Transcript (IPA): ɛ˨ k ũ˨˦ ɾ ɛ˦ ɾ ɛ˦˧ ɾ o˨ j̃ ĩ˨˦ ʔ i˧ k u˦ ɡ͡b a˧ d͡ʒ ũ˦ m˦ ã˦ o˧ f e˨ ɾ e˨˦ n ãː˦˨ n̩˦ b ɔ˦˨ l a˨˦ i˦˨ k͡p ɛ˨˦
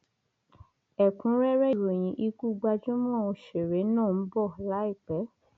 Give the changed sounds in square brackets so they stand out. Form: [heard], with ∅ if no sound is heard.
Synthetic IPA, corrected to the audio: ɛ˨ k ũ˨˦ ɾ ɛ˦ ɾ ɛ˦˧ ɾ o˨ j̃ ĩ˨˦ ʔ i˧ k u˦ ɡ͡b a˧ d͡ʒ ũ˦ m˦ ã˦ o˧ [ʃ] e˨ ɾ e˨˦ n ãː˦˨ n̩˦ b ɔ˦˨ l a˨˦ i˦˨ k͡p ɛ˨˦